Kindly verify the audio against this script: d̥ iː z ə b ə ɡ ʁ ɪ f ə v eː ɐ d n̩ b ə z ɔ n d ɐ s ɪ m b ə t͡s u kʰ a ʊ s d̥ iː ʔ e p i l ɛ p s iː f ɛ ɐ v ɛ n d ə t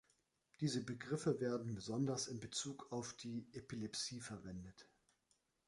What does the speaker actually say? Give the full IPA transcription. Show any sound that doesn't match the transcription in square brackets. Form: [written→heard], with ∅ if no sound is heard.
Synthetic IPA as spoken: d̥ iː z ə b ə ɡ ʁ ɪ f ə v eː ɐ d n̩ b ə z ɔ n d ɐ s ɪ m b ə t͡s [u→uː] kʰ a ʊ [s→f] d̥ iː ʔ e p i l ɛ p s iː f ɛ ɐ v ɛ n d ə t

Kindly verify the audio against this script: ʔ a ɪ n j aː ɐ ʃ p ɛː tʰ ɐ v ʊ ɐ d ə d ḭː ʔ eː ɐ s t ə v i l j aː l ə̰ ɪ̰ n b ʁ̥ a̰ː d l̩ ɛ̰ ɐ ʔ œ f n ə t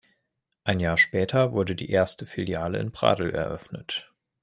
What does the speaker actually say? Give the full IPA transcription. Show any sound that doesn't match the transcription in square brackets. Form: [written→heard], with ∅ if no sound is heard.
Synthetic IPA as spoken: ʔ a ɪ n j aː ɐ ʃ p ɛː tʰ ɐ v ʊ ɐ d ə d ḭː ʔ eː ɐ s t ə [v→f] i l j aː l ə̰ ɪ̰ n b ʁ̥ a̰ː d l̩ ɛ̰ ɐ ʔ œ f n ə t

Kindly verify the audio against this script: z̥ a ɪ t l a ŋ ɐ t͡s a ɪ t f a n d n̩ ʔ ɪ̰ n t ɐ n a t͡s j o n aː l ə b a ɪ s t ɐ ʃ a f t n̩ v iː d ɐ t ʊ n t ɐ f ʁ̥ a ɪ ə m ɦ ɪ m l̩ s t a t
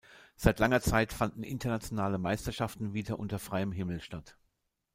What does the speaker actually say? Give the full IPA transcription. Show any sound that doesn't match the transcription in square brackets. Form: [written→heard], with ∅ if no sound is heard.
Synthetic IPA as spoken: z̥ a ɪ t l a ŋ ɐ t͡s a ɪ t f a n d n̩ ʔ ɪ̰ n t ɐ n a t͡s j o n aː l ə [b→m] a ɪ s t ɐ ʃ a f t n̩ v iː d ɐ [t→ʔ] ʊ n t ɐ f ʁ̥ a ɪ ə m ɦ ɪ m l̩ [s→ʃ] t a t

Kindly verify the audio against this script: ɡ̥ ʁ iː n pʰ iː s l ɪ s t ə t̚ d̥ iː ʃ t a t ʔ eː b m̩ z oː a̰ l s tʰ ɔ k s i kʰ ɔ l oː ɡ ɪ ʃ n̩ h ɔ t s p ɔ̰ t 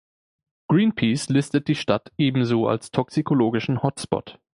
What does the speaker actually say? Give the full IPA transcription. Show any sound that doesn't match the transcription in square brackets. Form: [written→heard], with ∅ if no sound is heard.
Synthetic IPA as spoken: ɡ̥ ʁ iː n pʰ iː s l ɪ s t ə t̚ d̥ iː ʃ t a t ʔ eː b m̩ z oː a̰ l s tʰ ɔ k s i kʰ [ɔ→o] l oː ɡ ɪ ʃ n̩ h ɔ t s p ɔ̰ t

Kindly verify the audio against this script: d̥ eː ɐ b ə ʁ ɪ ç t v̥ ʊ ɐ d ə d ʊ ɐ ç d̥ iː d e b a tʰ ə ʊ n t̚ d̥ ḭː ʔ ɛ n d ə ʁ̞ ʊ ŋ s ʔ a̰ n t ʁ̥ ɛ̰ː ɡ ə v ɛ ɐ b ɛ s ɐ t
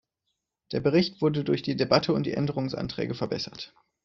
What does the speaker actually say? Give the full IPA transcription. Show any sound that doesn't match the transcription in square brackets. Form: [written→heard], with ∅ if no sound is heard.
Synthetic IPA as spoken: d̥ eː ɐ b ə ʁ ɪ ç t v̥ ʊ ɐ d ə d ʊ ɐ ç d̥ iː d e b a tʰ ə ʊ n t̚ d̥ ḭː ʔ ɛ n d ə ʁ̞ ʊ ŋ s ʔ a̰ n t ʁ̥ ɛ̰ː ɡ ə [v→f] ɛ ɐ b ɛ s ɐ t

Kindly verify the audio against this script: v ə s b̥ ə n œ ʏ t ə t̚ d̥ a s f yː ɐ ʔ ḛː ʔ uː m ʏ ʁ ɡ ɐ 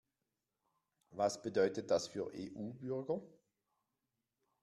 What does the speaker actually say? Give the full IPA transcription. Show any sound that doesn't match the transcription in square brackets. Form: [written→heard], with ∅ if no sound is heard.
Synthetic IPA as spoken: v [ə→a] s b̥ ə [n→d] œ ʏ t ə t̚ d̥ a s f yː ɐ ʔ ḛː ʔ uː [m→b] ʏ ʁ ɡ ɐ

